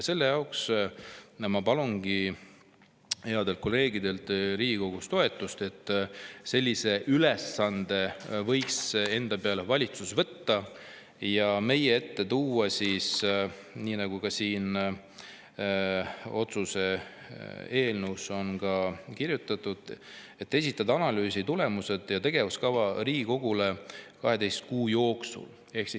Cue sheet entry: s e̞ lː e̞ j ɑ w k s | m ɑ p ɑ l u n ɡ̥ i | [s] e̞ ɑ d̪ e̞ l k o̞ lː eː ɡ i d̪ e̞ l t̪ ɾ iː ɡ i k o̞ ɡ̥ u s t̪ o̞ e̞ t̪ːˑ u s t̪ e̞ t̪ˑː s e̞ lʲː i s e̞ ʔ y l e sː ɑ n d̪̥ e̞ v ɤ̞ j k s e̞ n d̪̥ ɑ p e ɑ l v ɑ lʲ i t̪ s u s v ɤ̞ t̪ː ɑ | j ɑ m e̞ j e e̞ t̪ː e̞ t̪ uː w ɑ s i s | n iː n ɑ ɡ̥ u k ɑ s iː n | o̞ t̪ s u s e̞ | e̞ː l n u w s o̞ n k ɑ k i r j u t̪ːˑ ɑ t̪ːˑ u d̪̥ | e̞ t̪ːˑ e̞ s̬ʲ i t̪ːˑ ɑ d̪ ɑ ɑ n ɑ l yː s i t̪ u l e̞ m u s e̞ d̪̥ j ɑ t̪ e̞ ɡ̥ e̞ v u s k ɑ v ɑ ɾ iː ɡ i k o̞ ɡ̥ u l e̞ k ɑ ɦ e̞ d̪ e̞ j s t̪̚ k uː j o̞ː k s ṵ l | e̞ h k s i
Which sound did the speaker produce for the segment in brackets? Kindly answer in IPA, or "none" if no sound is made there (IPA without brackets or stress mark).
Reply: h